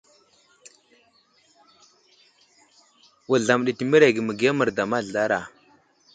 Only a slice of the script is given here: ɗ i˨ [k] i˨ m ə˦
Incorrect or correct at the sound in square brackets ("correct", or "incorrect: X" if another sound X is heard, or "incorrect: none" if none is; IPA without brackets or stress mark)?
incorrect: t